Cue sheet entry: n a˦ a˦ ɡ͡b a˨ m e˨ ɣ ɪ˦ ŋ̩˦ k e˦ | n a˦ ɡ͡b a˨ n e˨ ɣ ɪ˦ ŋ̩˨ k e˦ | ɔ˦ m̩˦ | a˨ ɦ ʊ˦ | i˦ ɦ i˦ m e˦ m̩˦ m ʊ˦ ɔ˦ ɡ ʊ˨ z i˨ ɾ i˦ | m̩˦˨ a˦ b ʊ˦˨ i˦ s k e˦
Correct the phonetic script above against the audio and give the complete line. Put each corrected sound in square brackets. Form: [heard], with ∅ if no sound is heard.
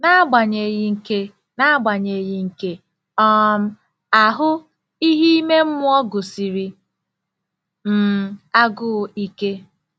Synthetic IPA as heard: n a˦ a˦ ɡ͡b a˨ [ɲ] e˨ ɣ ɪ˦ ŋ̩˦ k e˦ | n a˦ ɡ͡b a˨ [ɲ] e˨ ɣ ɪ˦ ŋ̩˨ k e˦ | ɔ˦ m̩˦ | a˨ ɦ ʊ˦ | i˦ ɦ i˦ m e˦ m̩˦ m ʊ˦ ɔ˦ ɡ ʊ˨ [s] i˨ ɾ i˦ | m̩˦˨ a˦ [ɡ] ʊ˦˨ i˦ [∅] k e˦